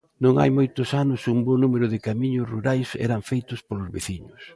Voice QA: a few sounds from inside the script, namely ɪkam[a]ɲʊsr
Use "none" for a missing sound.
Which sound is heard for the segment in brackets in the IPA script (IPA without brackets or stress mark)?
i